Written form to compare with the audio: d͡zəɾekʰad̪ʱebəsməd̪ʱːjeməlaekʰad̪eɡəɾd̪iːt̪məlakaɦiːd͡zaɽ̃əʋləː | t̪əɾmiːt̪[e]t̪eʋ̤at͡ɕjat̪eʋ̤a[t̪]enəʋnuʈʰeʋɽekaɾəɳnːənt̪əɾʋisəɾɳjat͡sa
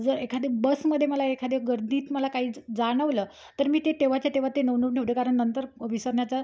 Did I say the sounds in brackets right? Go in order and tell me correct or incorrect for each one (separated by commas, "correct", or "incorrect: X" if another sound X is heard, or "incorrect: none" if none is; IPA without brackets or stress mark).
correct, correct